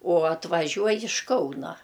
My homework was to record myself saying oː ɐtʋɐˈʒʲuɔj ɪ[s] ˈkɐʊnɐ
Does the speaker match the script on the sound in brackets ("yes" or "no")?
no